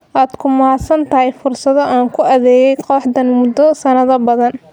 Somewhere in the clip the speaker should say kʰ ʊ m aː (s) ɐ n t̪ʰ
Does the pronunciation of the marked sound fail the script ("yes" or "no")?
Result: no